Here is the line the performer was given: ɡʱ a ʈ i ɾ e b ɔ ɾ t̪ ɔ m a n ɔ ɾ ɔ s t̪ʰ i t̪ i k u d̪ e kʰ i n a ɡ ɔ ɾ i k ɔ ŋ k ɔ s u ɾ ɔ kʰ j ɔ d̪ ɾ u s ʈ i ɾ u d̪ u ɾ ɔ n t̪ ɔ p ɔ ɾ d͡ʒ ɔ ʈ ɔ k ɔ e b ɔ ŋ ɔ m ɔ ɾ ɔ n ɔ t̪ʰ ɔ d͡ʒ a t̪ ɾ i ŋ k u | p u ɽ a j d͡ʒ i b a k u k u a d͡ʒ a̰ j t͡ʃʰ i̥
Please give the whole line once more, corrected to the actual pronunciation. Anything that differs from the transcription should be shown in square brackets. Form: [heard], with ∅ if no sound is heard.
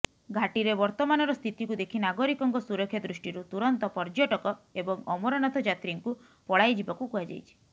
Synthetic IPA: ɡʱ a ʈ i ɾ e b ɔ ɾ t̪ ɔ m a n ɔ ɾ ɔ s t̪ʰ i t̪ i k u d̪ e kʰ i n a ɡ ɔ ɾ i k ɔ ŋ k ɔ s u ɾ ɔ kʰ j ɔ d̪ ɾ u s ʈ i ɾ u [t̪] u ɾ ɔ n t̪ ɔ p ɔ ɾ d͡ʒ ɔ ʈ ɔ k ɔ e b ɔ ŋ ɔ m ɔ ɾ ɔ n ɔ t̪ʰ ɔ d͡ʒ a t̪ ɾ i ŋ k u | p [ɔ] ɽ a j d͡ʒ i b a k u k u a d͡ʒ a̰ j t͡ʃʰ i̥